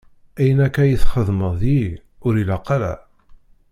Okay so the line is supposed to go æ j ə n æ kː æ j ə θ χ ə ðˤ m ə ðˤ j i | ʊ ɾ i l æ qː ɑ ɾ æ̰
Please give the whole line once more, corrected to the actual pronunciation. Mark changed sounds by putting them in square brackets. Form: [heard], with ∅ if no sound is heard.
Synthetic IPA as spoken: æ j ə n æ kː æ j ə θ χ ə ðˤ m ə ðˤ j i | ʊ ɾ i l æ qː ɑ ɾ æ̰